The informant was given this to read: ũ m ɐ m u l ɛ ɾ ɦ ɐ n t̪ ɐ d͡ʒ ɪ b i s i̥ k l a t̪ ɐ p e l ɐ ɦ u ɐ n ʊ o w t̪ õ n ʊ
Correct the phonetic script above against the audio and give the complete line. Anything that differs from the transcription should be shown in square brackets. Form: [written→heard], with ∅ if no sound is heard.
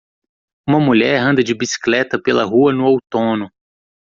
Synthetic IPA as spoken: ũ m ɐ m u [l→ʎ] ɛ ɾ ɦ [ɐ→ɐ̃] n [t̪→d̪] ɐ d͡ʒ ɪ b i s i̥ k l [a→ɛ] t̪ ɐ p e l ɐ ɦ u ɐ n ʊ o w t̪ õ n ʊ